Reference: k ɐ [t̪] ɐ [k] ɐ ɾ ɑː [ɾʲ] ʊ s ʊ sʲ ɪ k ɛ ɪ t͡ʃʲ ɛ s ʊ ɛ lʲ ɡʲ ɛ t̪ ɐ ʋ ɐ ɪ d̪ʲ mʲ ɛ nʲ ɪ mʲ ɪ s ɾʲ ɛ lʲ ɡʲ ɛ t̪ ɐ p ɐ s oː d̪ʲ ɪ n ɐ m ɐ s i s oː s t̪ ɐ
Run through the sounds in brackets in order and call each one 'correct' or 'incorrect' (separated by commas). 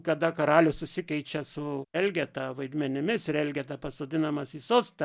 incorrect, correct, incorrect